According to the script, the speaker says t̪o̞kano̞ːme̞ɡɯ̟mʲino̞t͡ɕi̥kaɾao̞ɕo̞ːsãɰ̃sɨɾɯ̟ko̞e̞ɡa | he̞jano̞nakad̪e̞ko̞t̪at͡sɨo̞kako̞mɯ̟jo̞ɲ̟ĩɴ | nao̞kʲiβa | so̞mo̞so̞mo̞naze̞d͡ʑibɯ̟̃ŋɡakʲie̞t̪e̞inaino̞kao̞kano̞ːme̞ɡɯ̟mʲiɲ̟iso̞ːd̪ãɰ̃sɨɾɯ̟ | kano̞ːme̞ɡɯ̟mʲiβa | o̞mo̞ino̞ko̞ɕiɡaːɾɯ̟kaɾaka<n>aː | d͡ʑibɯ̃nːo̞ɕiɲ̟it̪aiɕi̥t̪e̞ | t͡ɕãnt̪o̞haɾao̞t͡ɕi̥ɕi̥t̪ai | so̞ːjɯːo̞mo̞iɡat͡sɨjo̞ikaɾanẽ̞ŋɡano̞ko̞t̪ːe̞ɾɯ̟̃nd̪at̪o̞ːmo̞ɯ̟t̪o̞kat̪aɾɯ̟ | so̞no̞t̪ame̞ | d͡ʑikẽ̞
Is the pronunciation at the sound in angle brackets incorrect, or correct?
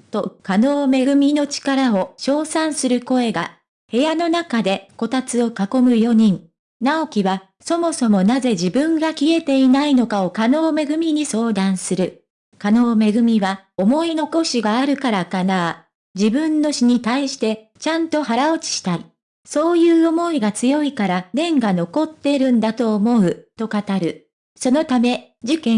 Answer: correct